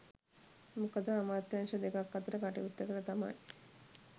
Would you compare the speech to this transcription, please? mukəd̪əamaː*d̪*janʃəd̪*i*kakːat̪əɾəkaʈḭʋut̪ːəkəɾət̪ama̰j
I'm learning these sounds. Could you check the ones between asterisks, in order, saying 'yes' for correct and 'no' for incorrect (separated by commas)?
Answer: no, no